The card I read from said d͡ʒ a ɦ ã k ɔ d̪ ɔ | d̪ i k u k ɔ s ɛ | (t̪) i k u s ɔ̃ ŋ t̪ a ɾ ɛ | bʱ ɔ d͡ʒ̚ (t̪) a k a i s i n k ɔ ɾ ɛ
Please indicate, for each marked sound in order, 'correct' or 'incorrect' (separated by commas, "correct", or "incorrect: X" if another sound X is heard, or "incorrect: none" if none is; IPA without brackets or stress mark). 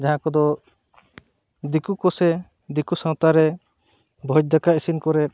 incorrect: d̪, incorrect: d̪